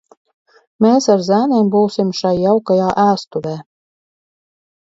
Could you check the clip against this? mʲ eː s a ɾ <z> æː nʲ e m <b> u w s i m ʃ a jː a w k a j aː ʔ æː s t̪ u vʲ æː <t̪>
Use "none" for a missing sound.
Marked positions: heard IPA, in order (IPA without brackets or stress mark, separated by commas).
z, b, none